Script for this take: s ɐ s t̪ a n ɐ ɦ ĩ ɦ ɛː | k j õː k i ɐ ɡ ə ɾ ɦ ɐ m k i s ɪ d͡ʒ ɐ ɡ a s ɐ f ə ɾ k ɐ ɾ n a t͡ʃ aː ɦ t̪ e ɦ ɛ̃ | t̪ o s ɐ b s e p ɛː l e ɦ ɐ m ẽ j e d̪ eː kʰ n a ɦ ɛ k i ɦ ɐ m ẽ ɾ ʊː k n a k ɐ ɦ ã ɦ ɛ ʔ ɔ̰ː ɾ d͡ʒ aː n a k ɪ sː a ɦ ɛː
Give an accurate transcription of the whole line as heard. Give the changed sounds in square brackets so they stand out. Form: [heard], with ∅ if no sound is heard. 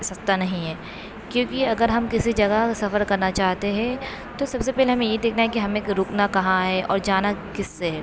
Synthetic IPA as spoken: s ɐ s t̪ a n ɐ ɦ ĩ ɦ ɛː | k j õː k i ɐ ɡ ə ɾ ɦ ɐ m k [ɪ] s [i] d͡ʒ ɐ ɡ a s ɐ f ə ɾ k ɐ ɾ n a t͡ʃ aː ɦ t̪ e ɦ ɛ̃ | t̪ o s ɐ b s e p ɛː l e ɦ ɐ m ẽ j e d̪ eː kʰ n a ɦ ɛ k i ɦ ɐ m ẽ ɾ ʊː k n a k ɐ ɦ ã ɦ ɛ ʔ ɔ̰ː ɾ d͡ʒ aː n a k ɪ sː [e] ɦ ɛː

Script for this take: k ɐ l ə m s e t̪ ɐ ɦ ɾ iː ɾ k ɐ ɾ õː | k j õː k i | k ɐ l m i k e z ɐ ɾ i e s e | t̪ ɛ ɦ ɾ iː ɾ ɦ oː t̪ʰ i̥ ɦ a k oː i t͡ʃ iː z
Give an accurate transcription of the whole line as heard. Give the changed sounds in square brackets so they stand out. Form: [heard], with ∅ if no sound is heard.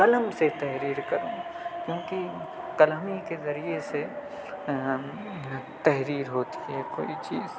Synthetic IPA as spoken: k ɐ l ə m s e t̪ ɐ ɦ ɾ iː ɾ k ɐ ɾ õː | k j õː k i | k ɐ l m i k e z ɐ ɾ i e s e | t̪ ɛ ɦ ɾ iː ɾ ɦ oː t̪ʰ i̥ ɦ [ɛ] k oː i t͡ʃ iː z

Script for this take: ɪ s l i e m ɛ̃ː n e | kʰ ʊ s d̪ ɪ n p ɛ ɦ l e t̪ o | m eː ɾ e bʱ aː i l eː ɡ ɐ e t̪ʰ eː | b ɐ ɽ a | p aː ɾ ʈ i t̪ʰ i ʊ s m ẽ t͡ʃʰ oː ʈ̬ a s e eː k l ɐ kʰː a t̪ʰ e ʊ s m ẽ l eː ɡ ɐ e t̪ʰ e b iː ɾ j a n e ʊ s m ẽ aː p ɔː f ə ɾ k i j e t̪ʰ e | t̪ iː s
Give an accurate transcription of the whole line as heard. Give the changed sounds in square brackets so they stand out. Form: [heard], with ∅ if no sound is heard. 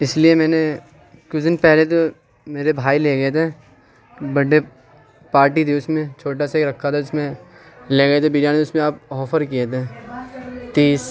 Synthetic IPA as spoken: ɪ s l i e m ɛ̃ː n e | [k] ʊ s d̪ ɪ n p ɛ ɦ l e t̪ o | m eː ɾ e bʱ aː i l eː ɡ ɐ e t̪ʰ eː | b ɐ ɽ [e] | p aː ɾ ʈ i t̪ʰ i ʊ s m ẽ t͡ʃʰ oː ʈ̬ a s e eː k [ɾ] ɐ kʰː a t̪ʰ [a] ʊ s m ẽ l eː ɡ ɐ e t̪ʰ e b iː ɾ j a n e ʊ s m ẽ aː p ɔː f ə ɾ k i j e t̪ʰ e | t̪ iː s

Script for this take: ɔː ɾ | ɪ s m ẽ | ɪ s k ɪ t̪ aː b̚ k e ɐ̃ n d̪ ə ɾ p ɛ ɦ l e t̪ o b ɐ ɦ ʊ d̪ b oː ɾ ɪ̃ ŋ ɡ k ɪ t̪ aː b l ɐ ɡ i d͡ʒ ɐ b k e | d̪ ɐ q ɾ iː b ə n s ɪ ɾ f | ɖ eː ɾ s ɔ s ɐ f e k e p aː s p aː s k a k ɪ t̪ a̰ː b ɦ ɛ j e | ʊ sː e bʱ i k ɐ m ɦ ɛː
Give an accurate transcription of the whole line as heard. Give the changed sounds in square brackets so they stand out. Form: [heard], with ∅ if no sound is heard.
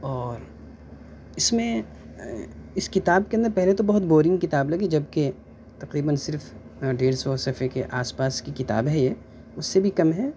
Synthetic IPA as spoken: ɔː ɾ | ɪ s m ẽ | ɪ s k ɪ t̪ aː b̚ k e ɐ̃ n d̪ ə ɾ p ɛ ɦ l e t̪ o b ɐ ɦ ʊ [t̪] b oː ɾ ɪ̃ ŋ ɡ k ɪ t̪ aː b l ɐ ɡ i d͡ʒ ɐ b k e | [t̪] ɐ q ɾ iː b ə n s ɪ ɾ f | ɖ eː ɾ s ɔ s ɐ f e k e [ʔ] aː s p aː s k [i] k ɪ t̪ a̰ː b ɦ ɛ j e | ʊ sː e bʱ i k ɐ m ɦ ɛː

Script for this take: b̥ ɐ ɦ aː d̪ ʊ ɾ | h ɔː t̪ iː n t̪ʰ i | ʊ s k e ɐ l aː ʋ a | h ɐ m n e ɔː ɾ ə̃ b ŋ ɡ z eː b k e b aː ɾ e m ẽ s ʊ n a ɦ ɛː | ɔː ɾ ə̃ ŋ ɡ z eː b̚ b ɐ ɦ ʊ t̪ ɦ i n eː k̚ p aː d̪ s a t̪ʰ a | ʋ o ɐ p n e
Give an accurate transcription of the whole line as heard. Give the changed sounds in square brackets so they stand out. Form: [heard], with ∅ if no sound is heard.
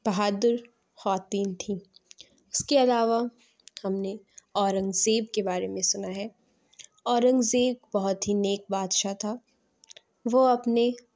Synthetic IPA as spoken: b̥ ɐ ɦ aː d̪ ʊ ɾ | h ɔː t̪ iː n t̪ʰ i | ʊ s k e ɐ l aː ʋ a | h ɐ m n e ɔː ɾ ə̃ [∅] ŋ ɡ z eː b k e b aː ɾ e m ẽ s ʊ n a ɦ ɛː | ɔː ɾ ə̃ ŋ ɡ z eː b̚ b ɐ ɦ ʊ t̪ ɦ i n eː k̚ [b] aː d̪ [ʃ] a t̪ʰ a | ʋ o ɐ p n e

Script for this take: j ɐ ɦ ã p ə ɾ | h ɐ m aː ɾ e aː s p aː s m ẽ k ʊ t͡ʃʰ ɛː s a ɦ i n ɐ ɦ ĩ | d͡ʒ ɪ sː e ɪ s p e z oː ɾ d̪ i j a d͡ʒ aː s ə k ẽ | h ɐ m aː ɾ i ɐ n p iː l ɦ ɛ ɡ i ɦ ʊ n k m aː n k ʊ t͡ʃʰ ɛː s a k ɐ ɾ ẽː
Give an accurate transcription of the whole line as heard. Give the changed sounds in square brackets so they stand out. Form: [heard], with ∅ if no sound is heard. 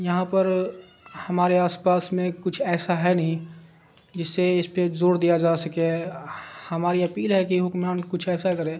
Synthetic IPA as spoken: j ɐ ɦ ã p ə ɾ | h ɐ m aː ɾ e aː s p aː s m ẽ k ʊ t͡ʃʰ ɛː s a ɦ [ɛ] n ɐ ɦ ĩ | d͡ʒ ɪ sː e ɪ s p e z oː ɾ d̪ i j a d͡ʒ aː s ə k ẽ | h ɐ m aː ɾ i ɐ [∅] p iː l ɦ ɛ [k] i ɦ ʊ [∅] k m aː n k ʊ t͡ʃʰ ɛː s a k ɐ ɾ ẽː

